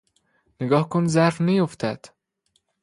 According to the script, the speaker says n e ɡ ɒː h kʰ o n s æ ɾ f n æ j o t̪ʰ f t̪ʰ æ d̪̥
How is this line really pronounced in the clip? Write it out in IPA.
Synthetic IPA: n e ɡ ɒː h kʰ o n z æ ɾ f n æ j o f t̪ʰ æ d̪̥